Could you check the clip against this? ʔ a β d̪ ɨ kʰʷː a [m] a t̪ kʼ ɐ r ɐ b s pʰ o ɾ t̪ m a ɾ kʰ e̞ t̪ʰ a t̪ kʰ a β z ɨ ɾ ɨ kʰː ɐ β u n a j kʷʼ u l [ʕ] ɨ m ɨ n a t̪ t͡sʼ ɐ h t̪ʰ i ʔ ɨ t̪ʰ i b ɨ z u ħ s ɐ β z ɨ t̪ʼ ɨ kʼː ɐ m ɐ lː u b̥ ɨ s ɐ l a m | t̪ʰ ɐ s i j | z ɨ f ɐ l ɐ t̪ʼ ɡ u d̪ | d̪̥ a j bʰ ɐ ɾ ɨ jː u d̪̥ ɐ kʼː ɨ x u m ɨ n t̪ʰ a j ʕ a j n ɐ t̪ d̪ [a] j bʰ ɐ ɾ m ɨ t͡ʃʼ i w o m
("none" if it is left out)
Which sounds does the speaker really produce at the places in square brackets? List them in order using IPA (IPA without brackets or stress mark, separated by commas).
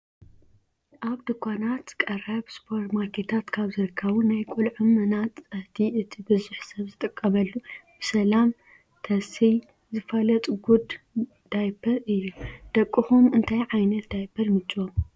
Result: n, ʕ, a